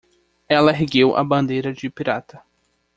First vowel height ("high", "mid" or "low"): mid